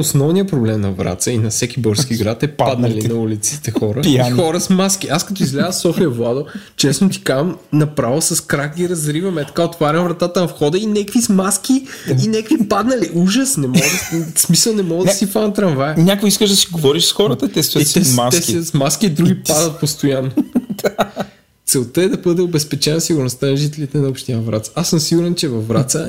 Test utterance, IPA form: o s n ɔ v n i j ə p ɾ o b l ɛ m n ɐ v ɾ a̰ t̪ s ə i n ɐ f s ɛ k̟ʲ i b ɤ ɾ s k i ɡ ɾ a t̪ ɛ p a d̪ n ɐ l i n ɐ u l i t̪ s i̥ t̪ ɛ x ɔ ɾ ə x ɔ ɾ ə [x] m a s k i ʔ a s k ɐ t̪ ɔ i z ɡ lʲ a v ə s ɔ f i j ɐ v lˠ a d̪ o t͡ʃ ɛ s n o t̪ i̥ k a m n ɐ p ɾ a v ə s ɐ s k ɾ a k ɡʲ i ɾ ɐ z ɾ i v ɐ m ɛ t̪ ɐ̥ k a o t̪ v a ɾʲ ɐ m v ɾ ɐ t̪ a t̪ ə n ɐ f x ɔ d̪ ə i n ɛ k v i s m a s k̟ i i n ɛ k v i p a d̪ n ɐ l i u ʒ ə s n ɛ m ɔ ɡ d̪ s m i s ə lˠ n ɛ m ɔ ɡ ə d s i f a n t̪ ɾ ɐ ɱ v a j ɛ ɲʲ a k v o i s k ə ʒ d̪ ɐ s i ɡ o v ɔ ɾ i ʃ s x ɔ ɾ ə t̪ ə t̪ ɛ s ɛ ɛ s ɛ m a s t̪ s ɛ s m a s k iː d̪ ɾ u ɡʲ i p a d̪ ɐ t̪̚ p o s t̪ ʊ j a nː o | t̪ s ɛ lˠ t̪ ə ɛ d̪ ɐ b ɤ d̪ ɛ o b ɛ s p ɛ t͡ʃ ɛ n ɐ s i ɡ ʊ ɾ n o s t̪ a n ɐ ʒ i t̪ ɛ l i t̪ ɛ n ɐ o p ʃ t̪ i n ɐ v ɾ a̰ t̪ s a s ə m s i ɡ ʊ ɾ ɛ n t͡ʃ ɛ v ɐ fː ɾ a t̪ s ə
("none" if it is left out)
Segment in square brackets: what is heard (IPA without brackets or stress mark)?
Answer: s